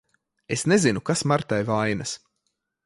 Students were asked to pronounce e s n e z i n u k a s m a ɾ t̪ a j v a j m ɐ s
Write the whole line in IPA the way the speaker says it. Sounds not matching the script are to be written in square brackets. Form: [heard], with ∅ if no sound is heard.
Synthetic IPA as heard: e s n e z i n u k a s m a ɾ t̪ a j v a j [n] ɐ s